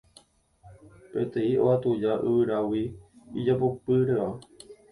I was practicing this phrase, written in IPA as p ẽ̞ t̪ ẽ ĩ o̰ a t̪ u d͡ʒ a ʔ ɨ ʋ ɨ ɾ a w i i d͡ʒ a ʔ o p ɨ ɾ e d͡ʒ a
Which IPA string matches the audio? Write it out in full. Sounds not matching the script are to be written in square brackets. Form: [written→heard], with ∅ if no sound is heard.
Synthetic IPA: p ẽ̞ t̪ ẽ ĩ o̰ a t̪ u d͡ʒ a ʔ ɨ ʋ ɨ ɾ a w i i d͡ʒ a [ʔ→p] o p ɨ ɾ e [d͡ʒ→∅] a